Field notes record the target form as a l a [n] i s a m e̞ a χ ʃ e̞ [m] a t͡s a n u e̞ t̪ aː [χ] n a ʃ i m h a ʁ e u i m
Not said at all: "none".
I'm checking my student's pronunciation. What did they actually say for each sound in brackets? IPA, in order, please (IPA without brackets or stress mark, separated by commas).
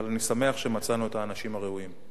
n, m, none